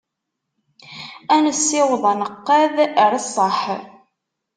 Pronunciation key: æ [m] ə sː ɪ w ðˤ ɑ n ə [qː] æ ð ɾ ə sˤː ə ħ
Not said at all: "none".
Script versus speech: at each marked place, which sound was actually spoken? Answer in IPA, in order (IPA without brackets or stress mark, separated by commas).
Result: n, qː